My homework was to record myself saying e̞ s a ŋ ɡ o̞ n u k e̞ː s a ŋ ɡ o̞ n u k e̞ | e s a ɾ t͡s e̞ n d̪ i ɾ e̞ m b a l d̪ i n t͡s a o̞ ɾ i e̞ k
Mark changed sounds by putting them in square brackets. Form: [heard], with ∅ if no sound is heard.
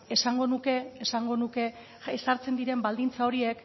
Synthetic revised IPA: e̞ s a ŋ ɡ o̞ n u k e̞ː s a ŋ ɡ o̞ n u k e̞ | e s a ɾ t͡s e̞ n d̪ i ɾ e̞ m b a l d̪ i n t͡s a o̞ ɾ i e̞ k